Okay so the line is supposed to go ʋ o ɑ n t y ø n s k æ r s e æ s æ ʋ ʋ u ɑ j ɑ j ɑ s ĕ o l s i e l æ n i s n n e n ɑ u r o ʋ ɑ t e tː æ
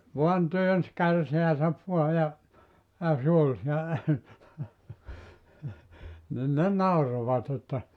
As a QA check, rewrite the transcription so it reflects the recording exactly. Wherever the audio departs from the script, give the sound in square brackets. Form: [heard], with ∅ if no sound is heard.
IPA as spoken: ʋ [u] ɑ n t y ø n s k æ r s e æ s æ ʋ ʋ u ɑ j ɑ j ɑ s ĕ o l s i e l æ n i [∅] n n e n ɑ u r o ʋ ɑ t e tː æ